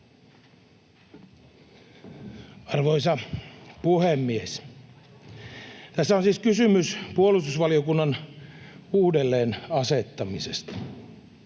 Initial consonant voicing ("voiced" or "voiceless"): voiced